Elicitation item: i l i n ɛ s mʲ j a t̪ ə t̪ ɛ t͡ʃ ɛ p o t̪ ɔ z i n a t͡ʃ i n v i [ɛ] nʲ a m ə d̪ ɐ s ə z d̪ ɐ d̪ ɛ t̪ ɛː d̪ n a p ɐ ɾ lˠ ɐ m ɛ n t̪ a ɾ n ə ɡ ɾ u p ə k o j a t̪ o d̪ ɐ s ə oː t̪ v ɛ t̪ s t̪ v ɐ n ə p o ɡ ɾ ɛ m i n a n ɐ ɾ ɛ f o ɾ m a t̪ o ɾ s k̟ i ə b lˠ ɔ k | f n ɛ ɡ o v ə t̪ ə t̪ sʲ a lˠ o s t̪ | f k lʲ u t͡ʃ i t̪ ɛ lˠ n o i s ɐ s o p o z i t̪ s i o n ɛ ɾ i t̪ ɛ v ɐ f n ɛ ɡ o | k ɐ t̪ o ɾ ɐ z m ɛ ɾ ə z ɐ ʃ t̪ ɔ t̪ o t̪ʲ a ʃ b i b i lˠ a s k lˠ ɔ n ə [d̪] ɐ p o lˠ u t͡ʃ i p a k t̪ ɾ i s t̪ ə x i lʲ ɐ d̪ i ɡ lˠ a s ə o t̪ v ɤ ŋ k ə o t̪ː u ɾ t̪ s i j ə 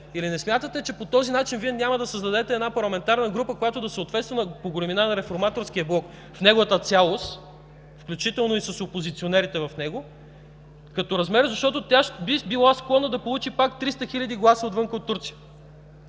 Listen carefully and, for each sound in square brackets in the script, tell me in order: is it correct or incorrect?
correct, correct

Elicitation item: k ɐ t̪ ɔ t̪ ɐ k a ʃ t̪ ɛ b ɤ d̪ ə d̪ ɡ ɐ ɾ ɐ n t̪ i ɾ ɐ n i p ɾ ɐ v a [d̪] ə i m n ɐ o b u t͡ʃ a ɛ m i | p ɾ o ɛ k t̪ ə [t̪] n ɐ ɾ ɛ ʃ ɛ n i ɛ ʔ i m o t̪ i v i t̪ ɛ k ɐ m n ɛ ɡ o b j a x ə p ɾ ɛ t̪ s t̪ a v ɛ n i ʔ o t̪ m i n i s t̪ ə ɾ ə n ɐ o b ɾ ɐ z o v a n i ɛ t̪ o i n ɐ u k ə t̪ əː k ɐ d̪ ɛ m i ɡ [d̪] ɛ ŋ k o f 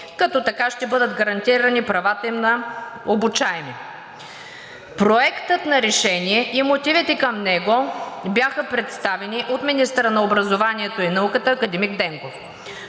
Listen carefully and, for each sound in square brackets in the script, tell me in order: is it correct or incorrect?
incorrect: t̪, correct, correct

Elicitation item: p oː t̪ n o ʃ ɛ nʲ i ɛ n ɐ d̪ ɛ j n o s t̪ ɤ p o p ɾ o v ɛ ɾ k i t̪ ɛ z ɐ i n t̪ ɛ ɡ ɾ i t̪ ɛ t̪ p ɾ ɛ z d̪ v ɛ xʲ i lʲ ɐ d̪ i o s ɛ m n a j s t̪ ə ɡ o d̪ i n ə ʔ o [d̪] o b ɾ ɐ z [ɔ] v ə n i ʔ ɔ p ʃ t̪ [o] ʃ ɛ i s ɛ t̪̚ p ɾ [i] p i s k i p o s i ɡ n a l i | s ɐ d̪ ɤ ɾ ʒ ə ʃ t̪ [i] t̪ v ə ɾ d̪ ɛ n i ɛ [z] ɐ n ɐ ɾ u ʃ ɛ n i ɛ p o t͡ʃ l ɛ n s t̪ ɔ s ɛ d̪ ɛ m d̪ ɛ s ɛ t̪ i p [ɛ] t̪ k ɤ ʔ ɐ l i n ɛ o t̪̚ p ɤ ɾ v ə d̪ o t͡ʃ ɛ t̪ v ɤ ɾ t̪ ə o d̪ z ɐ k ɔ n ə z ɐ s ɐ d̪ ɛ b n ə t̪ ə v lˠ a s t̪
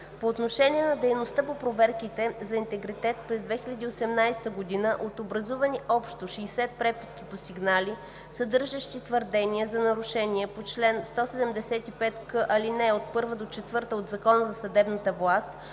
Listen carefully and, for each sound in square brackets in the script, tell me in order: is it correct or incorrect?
incorrect: t̪, incorrect: u, correct, incorrect: ɛ, correct, correct, correct

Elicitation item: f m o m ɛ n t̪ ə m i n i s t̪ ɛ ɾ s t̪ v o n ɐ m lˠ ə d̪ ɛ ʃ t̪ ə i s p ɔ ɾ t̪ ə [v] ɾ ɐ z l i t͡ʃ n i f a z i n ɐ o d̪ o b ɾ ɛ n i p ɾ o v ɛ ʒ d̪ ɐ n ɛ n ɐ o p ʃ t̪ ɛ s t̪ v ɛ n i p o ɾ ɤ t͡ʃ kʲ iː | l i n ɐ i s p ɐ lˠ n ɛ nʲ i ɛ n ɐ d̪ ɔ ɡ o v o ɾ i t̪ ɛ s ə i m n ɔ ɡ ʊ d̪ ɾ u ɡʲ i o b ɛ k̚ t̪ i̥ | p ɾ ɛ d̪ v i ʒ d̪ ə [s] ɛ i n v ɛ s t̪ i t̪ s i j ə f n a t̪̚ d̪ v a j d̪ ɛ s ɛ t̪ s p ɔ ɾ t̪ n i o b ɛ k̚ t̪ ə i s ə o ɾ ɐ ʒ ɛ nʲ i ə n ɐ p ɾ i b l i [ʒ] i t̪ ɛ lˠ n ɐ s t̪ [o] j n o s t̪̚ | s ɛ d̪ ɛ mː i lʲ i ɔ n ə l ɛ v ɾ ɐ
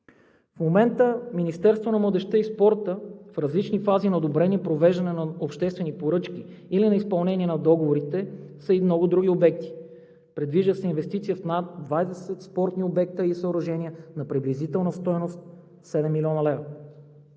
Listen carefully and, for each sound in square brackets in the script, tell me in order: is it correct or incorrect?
incorrect: f, correct, incorrect: z, incorrect: ɔ

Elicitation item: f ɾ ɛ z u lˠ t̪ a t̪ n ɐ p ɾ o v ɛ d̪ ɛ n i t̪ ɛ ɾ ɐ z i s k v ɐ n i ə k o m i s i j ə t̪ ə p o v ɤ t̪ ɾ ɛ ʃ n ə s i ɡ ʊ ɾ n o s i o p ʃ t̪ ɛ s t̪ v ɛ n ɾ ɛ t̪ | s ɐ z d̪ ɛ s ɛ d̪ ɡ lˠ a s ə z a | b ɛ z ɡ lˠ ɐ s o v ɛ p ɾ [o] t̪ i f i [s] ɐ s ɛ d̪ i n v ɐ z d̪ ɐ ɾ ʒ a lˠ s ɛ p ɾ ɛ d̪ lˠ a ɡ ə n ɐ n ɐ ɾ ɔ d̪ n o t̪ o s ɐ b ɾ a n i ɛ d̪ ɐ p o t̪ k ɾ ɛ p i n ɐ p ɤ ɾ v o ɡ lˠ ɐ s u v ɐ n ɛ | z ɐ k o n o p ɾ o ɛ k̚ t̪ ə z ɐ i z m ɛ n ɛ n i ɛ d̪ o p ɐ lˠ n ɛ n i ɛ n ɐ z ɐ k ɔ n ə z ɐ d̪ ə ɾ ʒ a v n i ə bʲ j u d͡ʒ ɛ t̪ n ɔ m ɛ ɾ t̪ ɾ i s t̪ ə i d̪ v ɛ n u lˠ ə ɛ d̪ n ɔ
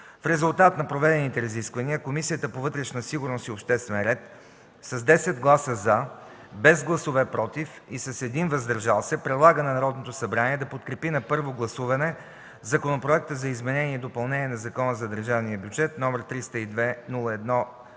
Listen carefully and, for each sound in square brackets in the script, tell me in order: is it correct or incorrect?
incorrect: ɔ, correct

